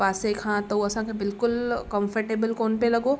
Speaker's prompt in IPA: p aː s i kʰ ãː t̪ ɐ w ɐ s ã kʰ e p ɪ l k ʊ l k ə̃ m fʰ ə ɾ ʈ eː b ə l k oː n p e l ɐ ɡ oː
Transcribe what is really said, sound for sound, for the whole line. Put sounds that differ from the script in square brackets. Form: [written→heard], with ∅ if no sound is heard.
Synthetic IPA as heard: p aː s [i→e] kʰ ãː t̪ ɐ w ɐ s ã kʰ e [p→b] ɪ l k ʊ l k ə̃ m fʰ ə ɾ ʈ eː b ə l k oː n p e l ɐ ɡ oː